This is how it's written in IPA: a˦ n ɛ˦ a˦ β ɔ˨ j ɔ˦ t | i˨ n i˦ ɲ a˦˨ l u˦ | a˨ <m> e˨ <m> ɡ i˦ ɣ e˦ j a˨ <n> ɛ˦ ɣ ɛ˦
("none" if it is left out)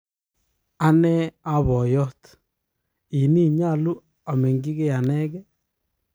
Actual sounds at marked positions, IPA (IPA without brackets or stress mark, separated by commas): m, ŋ, n